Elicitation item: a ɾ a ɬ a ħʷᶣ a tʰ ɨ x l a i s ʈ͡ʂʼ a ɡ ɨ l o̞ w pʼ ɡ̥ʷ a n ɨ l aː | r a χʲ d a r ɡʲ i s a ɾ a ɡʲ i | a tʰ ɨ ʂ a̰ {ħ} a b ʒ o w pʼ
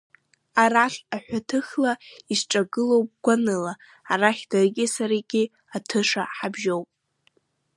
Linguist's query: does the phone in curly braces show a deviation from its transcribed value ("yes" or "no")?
no